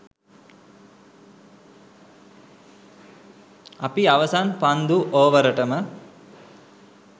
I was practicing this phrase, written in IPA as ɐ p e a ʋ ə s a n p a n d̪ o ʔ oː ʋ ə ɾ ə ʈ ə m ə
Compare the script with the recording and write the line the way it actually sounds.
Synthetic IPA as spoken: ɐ p i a ʋ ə s a n p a n d̪ u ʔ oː ʋ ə ɾ ə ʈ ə m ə